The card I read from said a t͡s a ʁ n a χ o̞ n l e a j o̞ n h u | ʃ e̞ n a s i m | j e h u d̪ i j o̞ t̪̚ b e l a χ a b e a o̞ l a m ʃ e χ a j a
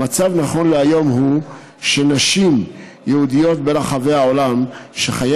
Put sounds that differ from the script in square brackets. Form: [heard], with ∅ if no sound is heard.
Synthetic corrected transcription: a t͡s a [v] n a χ o̞ n l e a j o̞ [m] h u | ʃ e̞ n a [ʃ] i m | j e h u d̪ i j o̞ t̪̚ b e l a χ a [v] e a o̞ l a m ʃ e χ a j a